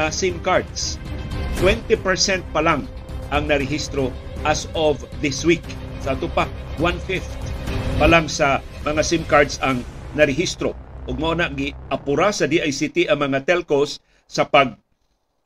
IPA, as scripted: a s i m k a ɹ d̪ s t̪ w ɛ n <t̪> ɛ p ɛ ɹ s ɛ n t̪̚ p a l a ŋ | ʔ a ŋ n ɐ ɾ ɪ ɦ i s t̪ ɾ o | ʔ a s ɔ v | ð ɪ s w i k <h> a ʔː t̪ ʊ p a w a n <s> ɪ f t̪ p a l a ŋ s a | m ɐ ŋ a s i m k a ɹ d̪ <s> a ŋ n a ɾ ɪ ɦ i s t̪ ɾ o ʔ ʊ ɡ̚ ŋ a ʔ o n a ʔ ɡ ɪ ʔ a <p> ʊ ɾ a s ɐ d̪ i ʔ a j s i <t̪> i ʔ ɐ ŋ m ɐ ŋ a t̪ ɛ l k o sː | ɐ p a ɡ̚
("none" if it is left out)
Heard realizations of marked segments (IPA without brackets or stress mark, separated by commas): t̪, s, f, s, p, t̪